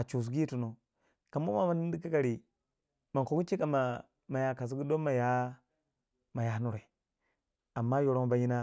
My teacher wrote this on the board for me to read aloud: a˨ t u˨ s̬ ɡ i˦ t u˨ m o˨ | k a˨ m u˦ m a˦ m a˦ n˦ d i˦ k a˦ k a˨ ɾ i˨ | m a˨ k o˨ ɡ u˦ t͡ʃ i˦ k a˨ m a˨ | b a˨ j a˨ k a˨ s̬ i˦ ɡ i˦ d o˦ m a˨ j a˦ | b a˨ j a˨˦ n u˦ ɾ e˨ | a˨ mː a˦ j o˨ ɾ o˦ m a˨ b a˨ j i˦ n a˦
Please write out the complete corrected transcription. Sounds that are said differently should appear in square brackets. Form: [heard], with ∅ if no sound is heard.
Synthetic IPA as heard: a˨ [t͡ʃ] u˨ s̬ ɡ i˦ t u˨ [n] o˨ | k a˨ m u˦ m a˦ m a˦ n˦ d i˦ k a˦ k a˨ ɾ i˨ | m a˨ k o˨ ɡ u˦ t͡ʃ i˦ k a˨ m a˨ | [m] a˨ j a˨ k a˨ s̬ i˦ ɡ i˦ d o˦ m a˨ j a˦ | [m] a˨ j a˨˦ n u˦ ɾ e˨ | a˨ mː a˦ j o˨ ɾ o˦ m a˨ b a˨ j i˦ n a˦

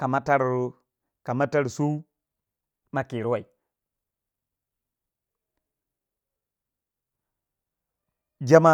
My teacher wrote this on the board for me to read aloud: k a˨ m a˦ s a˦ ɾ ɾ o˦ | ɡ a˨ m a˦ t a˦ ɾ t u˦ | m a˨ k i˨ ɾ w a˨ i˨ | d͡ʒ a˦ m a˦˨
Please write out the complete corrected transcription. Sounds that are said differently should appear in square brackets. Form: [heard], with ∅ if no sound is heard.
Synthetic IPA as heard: k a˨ m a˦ [t] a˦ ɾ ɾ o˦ | [k] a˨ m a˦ t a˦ ɾ [s] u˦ | m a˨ k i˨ ɾ w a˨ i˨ | d͡ʒ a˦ m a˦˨

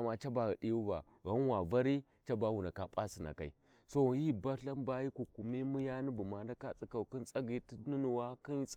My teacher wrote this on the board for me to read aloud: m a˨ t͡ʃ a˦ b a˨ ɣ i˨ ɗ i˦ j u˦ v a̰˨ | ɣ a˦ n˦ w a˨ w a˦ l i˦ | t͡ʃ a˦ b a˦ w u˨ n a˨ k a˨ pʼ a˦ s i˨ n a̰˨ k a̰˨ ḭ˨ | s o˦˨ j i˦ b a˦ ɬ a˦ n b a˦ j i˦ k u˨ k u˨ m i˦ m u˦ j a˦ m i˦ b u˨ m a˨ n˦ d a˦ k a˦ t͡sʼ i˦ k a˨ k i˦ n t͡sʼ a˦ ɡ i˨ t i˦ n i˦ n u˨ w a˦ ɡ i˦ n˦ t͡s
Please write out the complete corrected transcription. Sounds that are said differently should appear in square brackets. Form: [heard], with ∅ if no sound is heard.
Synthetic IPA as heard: m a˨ t͡ʃ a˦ b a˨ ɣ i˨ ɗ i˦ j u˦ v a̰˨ | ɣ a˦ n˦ w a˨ [v] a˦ [ɾ] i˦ | t͡ʃ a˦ b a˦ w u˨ n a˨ k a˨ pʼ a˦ s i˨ n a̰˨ k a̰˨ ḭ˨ | s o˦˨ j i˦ b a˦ ɬ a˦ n b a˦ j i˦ k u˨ k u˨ m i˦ m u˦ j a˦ [n] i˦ b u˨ m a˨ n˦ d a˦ k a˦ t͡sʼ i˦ k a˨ k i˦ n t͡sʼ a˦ ɡ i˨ t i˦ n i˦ n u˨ w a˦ [k] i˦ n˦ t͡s

